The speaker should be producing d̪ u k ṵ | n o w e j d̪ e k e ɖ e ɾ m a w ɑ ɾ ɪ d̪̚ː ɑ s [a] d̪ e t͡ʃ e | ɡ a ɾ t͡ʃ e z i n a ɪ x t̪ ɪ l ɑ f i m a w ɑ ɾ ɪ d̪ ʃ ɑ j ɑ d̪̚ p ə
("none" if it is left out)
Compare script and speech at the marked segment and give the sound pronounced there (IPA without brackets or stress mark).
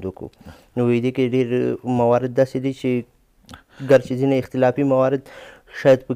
e